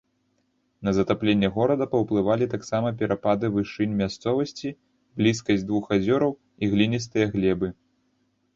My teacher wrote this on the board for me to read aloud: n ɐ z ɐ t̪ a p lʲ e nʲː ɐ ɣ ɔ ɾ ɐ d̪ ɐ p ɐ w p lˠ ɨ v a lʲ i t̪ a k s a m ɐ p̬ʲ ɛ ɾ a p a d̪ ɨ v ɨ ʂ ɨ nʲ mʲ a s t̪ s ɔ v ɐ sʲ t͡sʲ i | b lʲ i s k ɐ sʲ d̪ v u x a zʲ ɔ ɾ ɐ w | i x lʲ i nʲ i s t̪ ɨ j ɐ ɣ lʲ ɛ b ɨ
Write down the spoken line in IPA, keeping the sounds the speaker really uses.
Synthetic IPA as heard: n ɐ z ɐ t̪ a p lʲ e nʲː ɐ ɣ ɔ ɾ ɐ d̪ ɐ p ɐ w p lˠ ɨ v a lʲ i t̪ a k s a m ɐ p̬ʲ ɛ ɾ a p a d̪ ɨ v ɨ ʂ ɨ nʲ mʲ a s t̪ s ɔ v ɐ sʲ t͡sʲ i | b lʲ i s k ɐ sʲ d̪ v u x a zʲ ɔ ɾ ɐ w | i ɣ lʲ i nʲ i s t̪ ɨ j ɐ ɣ lʲ ɛ b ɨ